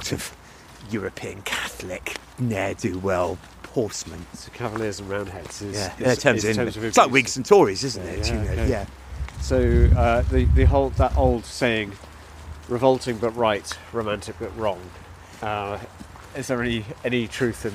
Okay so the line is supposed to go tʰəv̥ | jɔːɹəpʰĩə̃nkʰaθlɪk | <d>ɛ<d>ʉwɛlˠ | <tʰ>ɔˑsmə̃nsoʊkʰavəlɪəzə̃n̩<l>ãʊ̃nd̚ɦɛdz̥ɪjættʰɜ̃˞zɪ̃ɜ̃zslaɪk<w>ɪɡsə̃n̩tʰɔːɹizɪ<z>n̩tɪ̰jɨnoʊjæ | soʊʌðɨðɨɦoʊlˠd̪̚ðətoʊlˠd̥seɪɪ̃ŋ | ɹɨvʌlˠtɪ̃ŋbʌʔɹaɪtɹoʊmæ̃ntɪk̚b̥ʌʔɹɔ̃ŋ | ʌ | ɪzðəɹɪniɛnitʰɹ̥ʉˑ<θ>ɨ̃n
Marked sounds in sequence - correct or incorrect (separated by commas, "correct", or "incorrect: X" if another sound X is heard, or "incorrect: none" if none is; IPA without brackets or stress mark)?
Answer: incorrect: n, correct, incorrect: pʰ, incorrect: ɹ, correct, correct, correct